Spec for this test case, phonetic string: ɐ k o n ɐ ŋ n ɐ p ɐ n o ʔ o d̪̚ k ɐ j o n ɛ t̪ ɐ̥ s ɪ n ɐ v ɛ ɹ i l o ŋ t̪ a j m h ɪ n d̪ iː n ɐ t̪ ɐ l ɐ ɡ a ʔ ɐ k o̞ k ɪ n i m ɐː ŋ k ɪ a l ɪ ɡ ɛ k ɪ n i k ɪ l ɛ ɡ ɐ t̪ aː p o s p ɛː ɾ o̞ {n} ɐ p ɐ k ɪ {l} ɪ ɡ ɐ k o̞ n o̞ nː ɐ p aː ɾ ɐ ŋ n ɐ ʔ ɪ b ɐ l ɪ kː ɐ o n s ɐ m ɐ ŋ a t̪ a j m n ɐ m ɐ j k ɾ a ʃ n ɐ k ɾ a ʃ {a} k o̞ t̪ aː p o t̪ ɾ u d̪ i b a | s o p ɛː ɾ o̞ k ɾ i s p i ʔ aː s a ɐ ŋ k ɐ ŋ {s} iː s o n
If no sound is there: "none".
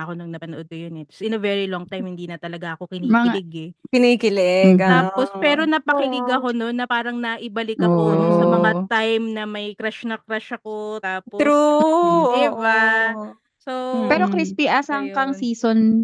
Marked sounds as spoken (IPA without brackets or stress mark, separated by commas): n, l, ɐ, s